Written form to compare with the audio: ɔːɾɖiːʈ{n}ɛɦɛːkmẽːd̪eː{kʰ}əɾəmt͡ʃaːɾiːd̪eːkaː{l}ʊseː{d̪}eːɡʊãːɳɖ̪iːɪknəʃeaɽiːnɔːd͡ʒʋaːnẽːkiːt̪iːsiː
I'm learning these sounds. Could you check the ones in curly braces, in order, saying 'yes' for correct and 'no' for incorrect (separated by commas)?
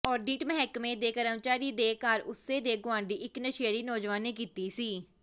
no, no, no, yes